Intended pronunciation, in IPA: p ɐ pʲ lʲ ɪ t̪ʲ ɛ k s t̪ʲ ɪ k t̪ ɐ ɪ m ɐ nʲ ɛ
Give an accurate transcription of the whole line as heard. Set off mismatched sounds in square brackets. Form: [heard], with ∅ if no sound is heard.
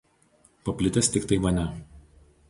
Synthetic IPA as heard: p ɐ pʲ lʲ ɪ t̪ʲ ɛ [∅] s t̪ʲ ɪ k t̪ ɐ ɪ m ɐ nʲ ɛ